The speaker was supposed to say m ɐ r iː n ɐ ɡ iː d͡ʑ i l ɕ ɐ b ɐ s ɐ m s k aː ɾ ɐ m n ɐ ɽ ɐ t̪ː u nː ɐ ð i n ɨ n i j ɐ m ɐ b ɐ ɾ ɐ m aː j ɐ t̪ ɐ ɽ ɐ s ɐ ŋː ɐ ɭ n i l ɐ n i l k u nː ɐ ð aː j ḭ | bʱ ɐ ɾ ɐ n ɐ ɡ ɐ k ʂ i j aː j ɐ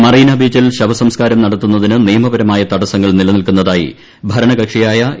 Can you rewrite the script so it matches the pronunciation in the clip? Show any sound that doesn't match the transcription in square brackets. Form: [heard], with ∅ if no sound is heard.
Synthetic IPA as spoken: m ɐ r iː n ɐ [b] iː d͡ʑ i l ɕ ɐ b ɐ s ɐ m s k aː ɾ ɐ m n ɐ ɽ ɐ t̪ː u nː ɐ ð i n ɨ n i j ɐ m ɐ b ɐ ɾ ɐ m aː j ɐ t̪ ɐ ɽ ɐ s ɐ ŋː ɐ ɭ n i l ɐ n i l k u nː ɐ ð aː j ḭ | bʱ ɐ ɾ ɐ [ɳ] ɐ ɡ ɐ k ʂ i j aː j ɐ